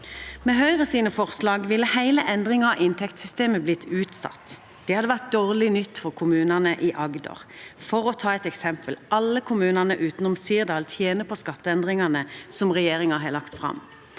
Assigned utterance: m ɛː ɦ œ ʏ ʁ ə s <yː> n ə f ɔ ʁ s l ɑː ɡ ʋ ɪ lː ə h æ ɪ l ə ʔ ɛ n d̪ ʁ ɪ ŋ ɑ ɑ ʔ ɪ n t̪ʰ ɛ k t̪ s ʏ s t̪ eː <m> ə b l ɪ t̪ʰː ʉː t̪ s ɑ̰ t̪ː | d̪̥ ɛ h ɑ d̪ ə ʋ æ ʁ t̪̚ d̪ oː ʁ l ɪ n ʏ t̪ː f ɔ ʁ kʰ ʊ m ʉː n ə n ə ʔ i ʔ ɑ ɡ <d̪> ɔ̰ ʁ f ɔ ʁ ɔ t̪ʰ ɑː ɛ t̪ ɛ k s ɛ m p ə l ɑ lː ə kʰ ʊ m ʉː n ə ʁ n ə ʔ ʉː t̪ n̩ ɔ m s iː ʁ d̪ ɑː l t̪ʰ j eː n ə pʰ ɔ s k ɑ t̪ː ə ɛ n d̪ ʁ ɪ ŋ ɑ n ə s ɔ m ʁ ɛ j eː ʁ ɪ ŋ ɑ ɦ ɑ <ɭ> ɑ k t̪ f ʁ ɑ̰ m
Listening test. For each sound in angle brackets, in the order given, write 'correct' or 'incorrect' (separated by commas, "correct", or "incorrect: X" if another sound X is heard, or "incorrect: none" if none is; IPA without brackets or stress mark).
incorrect: iː, correct, correct, incorrect: l